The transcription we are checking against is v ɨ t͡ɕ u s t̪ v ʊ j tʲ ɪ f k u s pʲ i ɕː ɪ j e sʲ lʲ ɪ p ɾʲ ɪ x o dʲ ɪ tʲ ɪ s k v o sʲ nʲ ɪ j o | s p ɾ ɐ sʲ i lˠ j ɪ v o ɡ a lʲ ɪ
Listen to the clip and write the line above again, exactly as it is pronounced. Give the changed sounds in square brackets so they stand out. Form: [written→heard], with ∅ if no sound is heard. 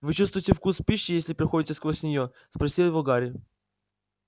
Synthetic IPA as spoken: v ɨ t͡ɕ u s t̪ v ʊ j tʲ ɪ f k u s pʲ i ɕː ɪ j e sʲ lʲ ɪ p ɾʲ ɪ x o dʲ ɪ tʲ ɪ s k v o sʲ nʲ ɪ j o | s p ɾ ɐ sʲ i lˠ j ɪ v o ɡ a [lʲ→ɾʲ] ɪ